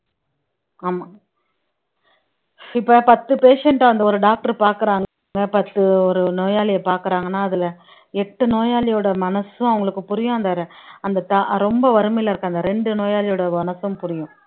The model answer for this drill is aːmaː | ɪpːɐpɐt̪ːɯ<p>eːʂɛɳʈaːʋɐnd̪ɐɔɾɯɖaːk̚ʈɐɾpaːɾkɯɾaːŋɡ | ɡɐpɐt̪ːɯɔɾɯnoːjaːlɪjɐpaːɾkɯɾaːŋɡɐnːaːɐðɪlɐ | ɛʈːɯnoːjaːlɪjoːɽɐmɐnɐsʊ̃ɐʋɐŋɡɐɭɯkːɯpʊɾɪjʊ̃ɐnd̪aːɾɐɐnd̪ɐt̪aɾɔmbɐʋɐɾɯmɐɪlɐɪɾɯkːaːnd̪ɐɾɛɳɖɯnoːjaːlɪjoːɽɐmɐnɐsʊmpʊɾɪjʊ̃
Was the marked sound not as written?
no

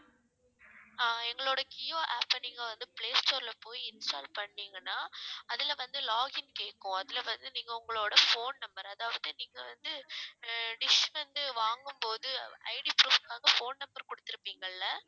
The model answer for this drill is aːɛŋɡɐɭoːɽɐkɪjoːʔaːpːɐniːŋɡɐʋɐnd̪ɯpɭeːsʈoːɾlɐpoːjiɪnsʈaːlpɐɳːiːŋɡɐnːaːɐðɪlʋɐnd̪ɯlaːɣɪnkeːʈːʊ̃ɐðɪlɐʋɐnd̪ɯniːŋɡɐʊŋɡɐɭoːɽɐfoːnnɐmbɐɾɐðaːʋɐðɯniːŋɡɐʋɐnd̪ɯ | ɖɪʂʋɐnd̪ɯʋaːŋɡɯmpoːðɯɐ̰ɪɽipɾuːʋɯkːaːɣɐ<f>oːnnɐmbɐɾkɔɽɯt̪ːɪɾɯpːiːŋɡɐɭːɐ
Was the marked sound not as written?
no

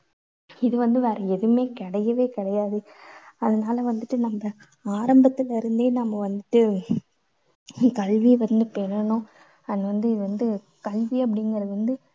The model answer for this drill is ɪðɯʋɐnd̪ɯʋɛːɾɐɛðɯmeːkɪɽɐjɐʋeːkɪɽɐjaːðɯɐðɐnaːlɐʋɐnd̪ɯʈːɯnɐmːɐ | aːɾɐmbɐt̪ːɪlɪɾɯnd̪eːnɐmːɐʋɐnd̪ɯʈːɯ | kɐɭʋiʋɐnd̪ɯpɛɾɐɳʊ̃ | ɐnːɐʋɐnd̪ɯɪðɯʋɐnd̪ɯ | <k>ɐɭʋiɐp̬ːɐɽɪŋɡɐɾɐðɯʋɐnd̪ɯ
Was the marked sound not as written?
no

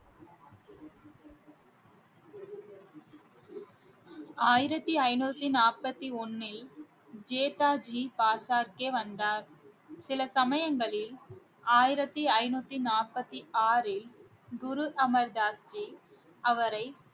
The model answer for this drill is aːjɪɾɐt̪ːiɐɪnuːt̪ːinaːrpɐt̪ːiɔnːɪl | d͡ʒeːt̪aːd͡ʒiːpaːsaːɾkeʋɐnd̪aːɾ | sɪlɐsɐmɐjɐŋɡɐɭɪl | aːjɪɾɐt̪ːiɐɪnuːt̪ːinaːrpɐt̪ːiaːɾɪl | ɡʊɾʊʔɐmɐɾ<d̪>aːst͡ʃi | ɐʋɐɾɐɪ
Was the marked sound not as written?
no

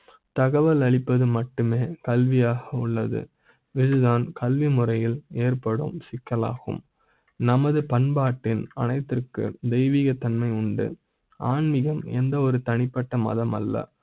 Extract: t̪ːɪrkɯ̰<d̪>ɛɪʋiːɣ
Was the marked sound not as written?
no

